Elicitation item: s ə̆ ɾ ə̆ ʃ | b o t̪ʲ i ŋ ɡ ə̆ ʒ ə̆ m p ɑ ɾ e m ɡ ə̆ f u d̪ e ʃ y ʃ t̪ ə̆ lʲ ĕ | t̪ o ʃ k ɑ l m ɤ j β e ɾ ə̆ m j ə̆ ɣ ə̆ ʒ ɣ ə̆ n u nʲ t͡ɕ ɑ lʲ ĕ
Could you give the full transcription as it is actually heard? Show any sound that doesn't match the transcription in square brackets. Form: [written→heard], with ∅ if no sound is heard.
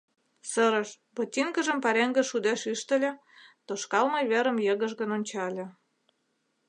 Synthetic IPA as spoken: s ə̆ ɾ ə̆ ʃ | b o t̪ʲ i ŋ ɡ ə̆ ʒ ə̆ m p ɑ ɾ e [m→ŋ] ɡ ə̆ [f→ʃ] u d̪ e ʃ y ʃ t̪ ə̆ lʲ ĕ | t̪ o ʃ k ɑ l m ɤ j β e ɾ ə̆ m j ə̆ ɣ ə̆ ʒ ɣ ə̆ n [u→o] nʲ t͡ɕ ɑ lʲ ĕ